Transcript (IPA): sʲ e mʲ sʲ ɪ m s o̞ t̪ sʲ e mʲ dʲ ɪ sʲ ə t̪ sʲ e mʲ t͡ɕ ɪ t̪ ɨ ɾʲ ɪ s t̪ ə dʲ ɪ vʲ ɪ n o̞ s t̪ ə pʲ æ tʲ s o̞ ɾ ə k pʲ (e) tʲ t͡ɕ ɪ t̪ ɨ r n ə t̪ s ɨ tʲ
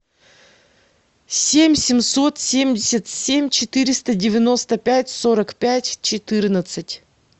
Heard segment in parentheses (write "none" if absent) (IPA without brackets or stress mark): æ